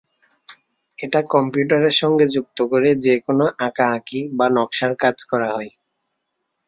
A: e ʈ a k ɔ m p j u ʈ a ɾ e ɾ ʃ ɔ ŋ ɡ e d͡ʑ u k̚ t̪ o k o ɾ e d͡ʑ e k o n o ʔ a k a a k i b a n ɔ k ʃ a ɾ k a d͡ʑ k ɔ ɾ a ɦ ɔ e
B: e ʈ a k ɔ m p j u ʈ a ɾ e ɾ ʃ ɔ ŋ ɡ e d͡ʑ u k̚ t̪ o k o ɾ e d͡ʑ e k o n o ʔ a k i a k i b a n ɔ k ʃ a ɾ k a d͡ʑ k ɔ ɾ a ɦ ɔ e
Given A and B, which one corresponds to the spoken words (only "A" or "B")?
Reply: A